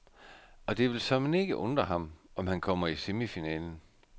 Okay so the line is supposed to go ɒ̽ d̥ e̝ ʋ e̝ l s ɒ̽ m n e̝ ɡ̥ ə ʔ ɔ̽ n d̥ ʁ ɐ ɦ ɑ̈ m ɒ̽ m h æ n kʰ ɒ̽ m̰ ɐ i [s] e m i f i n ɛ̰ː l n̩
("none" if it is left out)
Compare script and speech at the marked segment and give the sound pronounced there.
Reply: s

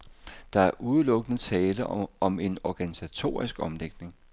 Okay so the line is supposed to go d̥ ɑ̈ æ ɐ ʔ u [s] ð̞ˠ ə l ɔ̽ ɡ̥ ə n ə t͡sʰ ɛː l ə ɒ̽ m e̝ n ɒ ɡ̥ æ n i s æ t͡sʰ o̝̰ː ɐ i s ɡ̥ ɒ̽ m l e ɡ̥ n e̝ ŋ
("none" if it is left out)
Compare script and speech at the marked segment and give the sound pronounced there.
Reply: none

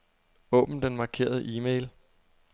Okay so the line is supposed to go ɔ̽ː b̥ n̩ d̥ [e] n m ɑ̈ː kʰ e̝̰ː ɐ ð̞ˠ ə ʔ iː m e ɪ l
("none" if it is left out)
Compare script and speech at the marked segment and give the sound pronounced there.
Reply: e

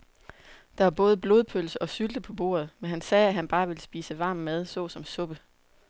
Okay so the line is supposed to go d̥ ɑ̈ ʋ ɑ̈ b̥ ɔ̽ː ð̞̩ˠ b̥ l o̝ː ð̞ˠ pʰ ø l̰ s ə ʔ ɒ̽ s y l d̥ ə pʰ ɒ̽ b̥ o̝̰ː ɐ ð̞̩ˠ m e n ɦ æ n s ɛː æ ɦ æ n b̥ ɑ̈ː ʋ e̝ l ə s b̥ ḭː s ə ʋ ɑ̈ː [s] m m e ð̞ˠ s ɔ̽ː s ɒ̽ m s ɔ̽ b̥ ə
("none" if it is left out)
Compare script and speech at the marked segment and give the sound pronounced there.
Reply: none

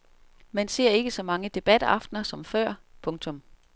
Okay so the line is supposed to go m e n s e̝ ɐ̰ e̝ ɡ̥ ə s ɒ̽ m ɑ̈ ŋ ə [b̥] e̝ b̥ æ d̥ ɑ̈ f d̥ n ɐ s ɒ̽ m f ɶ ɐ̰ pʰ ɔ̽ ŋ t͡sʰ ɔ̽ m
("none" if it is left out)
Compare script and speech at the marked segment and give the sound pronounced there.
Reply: d̥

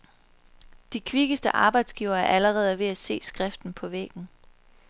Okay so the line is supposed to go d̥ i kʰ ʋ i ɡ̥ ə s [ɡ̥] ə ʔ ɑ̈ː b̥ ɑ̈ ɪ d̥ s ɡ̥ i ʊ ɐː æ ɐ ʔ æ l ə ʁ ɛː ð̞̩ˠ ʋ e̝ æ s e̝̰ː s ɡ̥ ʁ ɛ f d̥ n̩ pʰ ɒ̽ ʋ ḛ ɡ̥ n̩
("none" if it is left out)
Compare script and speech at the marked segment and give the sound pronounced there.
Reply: d̥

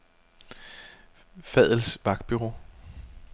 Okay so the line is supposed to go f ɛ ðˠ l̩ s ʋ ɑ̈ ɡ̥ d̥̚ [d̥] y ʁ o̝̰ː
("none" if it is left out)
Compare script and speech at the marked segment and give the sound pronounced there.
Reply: b̥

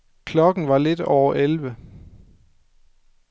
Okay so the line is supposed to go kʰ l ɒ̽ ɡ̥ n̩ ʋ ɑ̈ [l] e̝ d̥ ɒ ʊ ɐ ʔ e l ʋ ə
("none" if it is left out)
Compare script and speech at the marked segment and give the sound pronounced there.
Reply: l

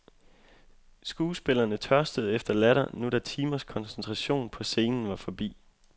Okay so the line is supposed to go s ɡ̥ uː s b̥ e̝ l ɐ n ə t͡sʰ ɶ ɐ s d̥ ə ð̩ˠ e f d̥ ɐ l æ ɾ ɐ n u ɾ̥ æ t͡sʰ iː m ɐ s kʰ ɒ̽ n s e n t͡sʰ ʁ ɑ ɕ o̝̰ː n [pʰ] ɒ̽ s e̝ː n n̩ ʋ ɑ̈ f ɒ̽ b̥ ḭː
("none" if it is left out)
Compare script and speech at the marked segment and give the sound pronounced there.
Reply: pʰ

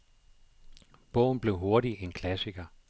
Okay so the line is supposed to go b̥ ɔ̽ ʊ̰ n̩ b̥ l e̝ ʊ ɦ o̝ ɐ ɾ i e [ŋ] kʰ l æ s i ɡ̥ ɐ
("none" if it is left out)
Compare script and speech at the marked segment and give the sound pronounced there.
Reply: n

